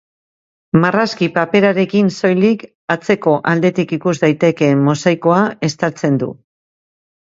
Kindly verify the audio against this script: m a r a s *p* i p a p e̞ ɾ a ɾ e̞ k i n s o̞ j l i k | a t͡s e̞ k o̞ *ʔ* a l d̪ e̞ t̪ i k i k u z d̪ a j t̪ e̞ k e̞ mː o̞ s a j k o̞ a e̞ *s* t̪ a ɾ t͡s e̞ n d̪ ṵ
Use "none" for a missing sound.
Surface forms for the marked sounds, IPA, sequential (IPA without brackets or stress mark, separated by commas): k, ʔ, s